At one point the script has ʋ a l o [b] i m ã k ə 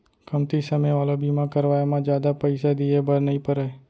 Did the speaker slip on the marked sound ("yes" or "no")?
no